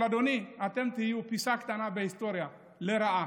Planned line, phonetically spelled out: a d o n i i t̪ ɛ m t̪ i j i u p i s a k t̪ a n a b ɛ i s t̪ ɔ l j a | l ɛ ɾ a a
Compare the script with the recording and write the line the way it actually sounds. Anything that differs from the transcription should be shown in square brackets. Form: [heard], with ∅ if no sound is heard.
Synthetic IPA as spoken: a d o n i [a] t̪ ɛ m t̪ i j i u p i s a k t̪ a n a b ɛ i s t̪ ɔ [ɾ] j a | l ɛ ɾ a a